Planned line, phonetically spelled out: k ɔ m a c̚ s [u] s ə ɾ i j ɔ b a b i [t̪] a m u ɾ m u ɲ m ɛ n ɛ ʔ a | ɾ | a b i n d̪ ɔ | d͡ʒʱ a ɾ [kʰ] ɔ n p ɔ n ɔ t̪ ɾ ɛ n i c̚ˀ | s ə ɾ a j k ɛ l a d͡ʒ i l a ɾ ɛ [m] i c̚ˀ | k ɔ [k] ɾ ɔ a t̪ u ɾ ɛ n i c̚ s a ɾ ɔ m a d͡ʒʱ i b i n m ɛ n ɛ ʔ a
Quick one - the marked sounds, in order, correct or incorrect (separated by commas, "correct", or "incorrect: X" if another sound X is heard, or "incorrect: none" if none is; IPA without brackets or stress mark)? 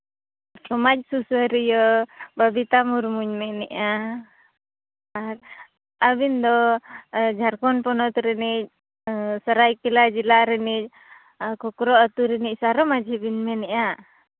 correct, correct, incorrect: k, incorrect: n, correct